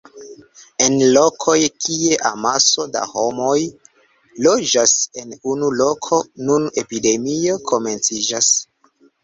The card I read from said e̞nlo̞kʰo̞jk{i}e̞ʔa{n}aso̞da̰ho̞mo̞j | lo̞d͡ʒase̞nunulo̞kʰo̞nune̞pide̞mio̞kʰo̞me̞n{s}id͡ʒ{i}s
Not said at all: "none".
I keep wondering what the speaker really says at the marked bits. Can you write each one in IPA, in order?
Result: i, m, t͡s, a

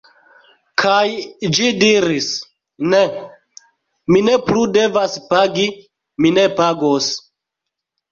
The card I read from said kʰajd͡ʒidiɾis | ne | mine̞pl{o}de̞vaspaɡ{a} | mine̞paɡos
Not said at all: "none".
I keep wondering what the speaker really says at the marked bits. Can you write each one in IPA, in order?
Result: u, i

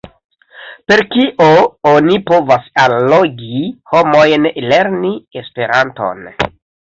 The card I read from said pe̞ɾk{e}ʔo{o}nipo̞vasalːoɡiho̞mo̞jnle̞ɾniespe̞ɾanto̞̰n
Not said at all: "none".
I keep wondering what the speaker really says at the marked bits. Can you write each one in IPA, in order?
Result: i, o

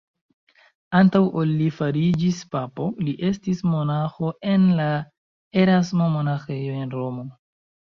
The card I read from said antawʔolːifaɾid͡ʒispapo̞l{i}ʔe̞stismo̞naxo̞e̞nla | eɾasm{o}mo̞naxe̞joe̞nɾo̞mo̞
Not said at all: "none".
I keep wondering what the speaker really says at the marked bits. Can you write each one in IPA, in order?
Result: i, o

